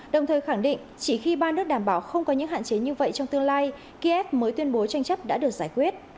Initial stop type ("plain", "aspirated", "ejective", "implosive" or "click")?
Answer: implosive